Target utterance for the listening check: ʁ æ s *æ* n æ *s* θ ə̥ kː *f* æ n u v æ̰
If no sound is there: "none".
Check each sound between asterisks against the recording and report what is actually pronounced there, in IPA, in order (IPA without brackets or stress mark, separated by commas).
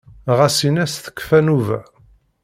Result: i, s, f